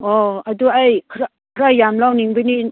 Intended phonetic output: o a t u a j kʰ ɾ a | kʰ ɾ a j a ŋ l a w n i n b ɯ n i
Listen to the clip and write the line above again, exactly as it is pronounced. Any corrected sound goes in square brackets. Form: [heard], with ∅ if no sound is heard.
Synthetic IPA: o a [d] u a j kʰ ɾ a | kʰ ɾ a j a [m] l a w n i [ŋ] b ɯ n i

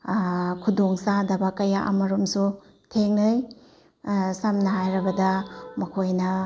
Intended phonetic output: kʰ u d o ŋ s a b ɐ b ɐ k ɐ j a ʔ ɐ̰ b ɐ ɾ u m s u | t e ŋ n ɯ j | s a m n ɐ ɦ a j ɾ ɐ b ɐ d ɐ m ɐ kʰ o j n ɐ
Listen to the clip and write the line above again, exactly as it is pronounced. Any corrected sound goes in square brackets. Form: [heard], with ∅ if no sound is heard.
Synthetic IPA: kʰ u d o ŋ s a [d] ɐ b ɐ k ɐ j a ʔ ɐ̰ [m] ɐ ɾ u m s u | [tʰ] e ŋ n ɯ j | s a m n ɐ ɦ a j ɾ ɐ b ɐ d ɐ m ɐ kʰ o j n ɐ

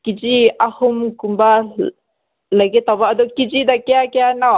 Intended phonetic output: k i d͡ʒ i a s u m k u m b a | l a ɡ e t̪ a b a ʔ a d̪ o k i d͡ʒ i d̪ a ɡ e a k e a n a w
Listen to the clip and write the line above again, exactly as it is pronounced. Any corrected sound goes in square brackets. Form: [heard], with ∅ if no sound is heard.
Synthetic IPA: k i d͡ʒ i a [h] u m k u m b a | l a ɡ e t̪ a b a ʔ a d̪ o k i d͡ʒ i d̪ a [k] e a k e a n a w

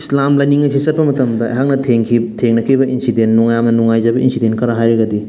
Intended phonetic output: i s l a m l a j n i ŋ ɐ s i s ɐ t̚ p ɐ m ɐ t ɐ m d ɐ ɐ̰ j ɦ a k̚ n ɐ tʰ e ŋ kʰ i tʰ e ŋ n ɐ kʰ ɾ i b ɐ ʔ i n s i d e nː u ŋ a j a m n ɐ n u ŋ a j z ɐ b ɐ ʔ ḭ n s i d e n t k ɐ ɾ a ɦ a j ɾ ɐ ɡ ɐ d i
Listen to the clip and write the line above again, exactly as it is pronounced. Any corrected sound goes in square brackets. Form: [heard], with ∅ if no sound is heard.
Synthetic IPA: i s l a m l a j n i ŋ ɐ s i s ɐ t̚ p ɐ m ɐ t ɐ m d ɐ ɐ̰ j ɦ a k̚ n ɐ tʰ e ŋ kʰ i tʰ e ŋ n ɐ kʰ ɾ i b ɐ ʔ i n s i d e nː u ŋ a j a m n ɐ n u ŋ a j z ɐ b ɐ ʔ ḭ n s i d e n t k ɐ ɾ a ɦ a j ɾ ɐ ɡ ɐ d i

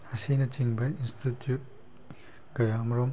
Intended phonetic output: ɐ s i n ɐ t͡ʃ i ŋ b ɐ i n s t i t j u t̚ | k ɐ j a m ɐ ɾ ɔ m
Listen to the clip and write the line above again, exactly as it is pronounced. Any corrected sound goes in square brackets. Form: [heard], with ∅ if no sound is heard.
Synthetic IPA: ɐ s i n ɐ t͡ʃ i ŋ b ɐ i n s t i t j u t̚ | k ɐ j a m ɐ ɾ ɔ m

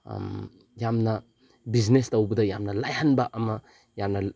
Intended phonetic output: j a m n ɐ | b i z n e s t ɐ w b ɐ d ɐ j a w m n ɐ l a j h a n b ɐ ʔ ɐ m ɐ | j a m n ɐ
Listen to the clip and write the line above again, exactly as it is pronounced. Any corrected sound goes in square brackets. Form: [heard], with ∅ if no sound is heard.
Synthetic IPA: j a m n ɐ | b i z n e s t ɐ w b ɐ d ɐ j a [∅] m n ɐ l a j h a n b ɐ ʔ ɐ m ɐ | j a m n ɐ

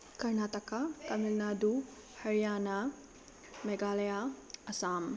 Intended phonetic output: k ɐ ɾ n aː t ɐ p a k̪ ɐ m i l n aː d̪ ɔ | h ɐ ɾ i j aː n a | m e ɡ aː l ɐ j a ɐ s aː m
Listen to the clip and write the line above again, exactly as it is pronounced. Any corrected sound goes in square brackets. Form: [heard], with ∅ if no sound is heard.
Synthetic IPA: k ɐ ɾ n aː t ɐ [k] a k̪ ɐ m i l n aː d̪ [u] | h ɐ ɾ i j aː n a | m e ɡ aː l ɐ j a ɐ s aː m

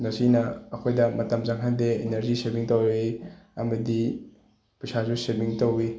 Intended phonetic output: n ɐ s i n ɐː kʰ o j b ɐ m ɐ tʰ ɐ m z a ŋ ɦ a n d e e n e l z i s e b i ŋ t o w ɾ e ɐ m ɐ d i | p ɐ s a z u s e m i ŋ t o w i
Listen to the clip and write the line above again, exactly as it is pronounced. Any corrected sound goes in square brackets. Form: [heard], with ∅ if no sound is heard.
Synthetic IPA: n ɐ s i n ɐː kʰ o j [d] ɐ m ɐ [t] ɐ m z a ŋ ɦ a n d e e n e [ɾ] z i s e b i ŋ t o w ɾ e ɐ m ɐ d i | p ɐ s a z u s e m i ŋ t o w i

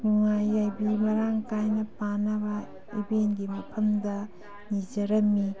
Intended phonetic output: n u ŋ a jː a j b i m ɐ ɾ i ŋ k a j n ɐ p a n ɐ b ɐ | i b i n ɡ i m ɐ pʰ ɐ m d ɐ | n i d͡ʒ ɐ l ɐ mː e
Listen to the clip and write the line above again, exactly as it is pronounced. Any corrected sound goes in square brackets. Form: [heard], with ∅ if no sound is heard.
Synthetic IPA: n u ŋ a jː a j b i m ɐ ɾ [a] ŋ k a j n ɐ p a n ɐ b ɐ | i b [e] n ɡ i m ɐ pʰ ɐ m d ɐ | n i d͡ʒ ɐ [ɾ] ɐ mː [i]

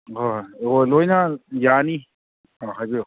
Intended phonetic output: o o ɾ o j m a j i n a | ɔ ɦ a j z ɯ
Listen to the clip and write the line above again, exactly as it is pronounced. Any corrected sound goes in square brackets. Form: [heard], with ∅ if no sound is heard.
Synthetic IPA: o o [l] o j [n] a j [a] n [i] | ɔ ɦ a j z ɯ

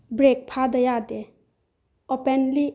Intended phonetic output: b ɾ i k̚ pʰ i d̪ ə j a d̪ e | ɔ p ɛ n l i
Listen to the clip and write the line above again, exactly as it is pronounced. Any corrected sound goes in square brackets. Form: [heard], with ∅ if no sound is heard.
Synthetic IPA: b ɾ [e] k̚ pʰ [a] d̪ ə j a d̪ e | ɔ p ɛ n l i

